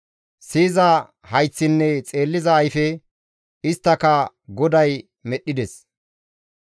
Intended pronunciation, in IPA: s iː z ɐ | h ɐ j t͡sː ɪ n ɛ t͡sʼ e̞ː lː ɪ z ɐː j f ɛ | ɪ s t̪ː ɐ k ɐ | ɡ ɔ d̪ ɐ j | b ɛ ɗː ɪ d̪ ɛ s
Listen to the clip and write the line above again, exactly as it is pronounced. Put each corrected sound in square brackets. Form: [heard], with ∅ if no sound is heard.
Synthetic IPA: s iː z ɐ | h ɐ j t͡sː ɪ [nː] ɛ t͡sʼ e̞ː lː ɪ z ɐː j f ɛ | ɪ s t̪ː ɐ k ɐ | ɡ ɔ d̪ ɐ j | [m] ɛ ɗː ɪ d̪ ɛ s